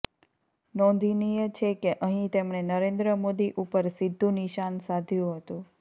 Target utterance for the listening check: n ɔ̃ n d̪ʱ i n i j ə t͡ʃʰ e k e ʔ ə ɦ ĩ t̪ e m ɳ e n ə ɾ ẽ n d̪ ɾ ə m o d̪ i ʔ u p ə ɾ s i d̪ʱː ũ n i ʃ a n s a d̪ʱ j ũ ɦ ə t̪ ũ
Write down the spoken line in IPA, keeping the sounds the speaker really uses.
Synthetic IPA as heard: n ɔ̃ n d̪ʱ i n i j ə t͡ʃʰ e k e ʔ ə ɦ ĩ t̪ e m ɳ e n ə ɾ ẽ n d̪ ɾ ə m o d̪ i ʔ u p ə ɾ s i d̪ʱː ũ n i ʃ a n s a d̪ʱ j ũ ɦ ə t̪ ũ